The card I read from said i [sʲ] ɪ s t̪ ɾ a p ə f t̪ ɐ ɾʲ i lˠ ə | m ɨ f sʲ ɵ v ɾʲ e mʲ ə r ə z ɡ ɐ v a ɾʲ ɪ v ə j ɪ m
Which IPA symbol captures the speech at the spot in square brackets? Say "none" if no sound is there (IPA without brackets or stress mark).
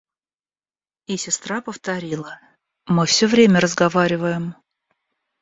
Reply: sʲ